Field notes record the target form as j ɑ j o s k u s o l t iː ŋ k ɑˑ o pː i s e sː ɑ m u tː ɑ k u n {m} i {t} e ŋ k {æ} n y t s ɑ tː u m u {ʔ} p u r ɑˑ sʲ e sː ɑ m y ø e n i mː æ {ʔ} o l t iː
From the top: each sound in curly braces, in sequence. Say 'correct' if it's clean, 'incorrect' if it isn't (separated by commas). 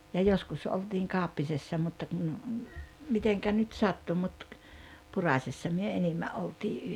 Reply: correct, correct, correct, incorrect, correct